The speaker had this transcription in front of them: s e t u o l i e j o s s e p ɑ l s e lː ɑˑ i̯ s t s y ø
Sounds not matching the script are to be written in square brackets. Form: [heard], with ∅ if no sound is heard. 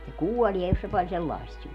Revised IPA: s e [k] u o l i e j o s s e p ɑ l s e lː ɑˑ i̯ s t s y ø